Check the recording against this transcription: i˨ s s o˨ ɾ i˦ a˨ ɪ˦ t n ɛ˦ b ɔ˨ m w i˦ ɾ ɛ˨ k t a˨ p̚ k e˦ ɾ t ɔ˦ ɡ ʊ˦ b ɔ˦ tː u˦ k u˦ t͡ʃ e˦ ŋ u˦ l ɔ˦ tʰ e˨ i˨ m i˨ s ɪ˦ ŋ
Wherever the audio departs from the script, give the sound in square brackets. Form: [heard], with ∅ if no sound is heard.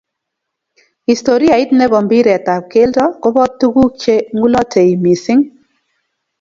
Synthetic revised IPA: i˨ s [t] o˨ ɾ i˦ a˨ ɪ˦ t n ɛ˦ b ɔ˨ m [b] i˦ ɾ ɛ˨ [∅] t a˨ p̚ k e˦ [l] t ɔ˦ [k] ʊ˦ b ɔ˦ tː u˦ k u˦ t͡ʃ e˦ ŋ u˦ l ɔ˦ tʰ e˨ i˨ m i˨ s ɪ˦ ŋ